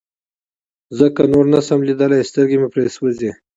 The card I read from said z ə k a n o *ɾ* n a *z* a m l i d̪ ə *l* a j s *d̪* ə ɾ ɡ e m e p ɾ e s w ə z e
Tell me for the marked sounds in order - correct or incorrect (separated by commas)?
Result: correct, incorrect, correct, incorrect